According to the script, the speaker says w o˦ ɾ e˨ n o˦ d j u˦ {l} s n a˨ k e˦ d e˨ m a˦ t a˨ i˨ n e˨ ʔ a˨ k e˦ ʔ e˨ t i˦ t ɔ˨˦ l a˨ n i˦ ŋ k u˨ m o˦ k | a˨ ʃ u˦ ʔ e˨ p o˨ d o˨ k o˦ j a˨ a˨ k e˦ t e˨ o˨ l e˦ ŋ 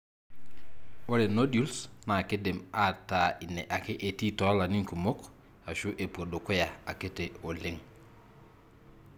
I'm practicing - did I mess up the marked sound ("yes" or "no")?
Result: no